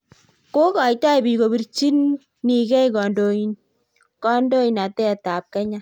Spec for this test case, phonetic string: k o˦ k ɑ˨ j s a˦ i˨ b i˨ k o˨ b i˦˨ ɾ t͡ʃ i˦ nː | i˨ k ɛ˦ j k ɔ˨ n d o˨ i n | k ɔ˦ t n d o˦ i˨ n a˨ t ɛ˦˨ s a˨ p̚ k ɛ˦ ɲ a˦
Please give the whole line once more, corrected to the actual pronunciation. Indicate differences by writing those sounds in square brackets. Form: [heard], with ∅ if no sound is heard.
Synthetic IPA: k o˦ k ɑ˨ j [t] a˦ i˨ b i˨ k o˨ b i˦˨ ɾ t͡ʃ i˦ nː | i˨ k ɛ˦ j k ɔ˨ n d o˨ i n | k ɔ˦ [∅] n d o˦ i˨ n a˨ t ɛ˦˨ [t] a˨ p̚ k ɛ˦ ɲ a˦